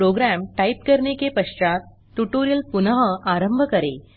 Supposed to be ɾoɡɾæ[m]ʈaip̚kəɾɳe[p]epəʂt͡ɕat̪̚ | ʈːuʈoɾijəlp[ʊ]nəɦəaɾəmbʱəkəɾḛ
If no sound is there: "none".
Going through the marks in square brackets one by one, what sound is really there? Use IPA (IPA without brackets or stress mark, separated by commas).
m, k, u